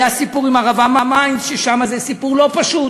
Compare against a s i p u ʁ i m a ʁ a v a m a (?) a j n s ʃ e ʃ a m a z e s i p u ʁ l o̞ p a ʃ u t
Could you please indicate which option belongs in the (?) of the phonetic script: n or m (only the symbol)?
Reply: m